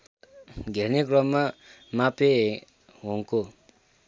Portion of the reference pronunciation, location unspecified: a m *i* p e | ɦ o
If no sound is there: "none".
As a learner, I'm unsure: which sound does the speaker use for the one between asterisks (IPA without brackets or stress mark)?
a